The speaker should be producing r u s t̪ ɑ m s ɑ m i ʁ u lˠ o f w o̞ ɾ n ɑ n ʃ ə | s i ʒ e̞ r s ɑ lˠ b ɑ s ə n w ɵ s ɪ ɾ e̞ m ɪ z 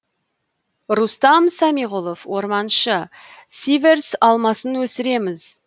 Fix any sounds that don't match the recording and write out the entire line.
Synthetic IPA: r u s t̪ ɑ m s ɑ m i ʁ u lˠ o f w o̞ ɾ m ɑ n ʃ ə | s i v e̞ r s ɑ lˠ m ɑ s ə n w ɵ s ɪ ɾ e̞ m ɪ z